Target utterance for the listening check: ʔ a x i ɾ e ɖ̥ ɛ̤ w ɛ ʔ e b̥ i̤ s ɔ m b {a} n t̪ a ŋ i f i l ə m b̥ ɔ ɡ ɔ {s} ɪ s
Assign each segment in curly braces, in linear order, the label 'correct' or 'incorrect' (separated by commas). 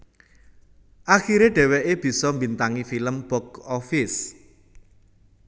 incorrect, incorrect